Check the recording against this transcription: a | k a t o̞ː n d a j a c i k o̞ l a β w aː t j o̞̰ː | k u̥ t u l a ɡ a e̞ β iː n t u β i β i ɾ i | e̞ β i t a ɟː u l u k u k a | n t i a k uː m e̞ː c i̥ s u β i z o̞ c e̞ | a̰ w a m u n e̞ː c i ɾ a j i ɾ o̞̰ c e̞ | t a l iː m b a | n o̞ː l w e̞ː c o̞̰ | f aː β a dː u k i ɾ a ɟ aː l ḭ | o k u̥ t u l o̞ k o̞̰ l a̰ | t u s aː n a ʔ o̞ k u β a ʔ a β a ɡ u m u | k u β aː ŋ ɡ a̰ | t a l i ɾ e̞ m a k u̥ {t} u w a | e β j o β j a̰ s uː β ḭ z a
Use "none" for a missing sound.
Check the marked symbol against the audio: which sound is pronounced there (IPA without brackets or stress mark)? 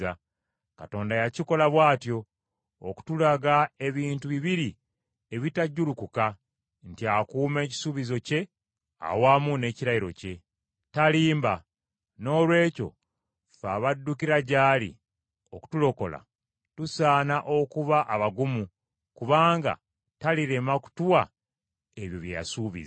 t